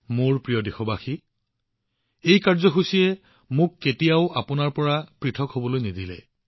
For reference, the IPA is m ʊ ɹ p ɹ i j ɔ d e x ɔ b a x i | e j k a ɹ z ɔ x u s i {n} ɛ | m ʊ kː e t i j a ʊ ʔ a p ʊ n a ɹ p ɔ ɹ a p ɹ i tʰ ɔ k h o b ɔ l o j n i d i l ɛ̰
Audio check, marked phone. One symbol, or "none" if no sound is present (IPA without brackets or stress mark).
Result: none